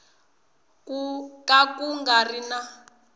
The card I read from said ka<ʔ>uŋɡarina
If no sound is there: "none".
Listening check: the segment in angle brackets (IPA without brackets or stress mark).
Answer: k